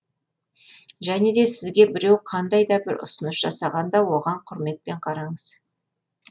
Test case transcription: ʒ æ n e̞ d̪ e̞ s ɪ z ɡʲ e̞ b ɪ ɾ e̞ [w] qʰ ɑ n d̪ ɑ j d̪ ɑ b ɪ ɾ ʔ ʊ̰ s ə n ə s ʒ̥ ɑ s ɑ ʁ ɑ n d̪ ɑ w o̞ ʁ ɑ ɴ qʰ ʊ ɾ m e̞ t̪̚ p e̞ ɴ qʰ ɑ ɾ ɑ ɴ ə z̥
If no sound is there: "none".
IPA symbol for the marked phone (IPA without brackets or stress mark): w